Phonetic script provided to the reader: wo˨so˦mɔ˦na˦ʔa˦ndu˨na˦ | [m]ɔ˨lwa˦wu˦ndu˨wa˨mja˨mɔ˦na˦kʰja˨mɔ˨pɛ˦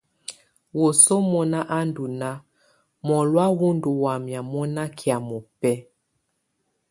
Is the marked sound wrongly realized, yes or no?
no